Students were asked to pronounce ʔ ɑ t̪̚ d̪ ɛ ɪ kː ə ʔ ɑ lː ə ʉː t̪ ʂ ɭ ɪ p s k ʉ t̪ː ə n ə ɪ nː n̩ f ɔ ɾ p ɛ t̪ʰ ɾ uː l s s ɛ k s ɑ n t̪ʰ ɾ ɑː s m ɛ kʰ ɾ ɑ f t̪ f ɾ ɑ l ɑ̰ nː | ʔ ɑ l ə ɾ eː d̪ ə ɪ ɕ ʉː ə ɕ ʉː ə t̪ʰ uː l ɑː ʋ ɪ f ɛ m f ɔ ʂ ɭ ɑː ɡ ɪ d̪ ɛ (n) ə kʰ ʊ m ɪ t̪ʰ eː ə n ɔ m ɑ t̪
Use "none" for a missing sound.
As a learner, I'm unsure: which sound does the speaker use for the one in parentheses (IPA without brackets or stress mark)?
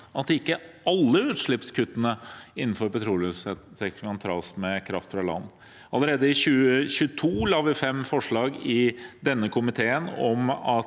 nː